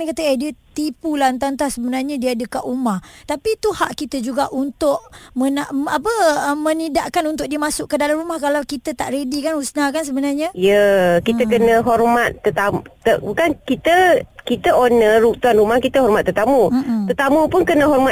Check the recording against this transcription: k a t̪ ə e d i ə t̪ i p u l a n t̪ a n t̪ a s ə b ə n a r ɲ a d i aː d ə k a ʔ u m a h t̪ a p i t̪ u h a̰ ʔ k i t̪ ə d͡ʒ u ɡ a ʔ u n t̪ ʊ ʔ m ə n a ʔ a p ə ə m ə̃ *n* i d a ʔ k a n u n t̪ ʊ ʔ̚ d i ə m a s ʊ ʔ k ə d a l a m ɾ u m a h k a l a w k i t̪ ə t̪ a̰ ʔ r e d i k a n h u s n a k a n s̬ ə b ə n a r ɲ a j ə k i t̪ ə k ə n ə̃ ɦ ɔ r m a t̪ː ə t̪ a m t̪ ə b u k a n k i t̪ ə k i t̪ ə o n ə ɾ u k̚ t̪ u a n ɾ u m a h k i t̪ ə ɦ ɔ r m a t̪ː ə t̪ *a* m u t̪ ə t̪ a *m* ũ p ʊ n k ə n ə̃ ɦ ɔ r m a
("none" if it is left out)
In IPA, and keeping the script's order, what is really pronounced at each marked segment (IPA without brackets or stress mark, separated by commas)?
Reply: n, a, m